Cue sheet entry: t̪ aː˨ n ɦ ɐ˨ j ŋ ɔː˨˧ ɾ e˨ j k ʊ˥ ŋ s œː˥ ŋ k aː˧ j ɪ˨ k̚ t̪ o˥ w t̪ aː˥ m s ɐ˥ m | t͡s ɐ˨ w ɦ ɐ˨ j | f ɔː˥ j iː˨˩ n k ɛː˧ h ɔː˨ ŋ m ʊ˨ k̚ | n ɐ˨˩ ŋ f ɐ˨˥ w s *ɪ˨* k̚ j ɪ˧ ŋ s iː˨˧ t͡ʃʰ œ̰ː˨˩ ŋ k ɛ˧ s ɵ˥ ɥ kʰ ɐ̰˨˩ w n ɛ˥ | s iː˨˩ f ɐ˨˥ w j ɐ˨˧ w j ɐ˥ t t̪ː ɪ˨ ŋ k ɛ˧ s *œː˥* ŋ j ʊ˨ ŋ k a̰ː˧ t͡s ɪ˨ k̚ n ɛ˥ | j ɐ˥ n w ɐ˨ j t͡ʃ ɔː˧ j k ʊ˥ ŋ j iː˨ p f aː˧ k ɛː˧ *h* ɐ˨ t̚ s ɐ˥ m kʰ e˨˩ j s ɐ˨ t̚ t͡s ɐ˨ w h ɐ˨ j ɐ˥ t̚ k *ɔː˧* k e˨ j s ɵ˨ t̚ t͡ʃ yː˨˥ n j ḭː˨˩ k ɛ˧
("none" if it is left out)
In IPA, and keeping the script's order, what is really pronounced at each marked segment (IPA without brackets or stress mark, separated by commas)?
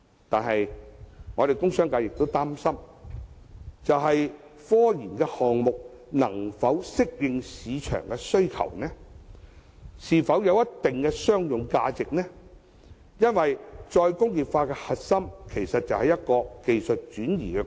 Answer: ɪ˥, œː˥, h, ɔː˧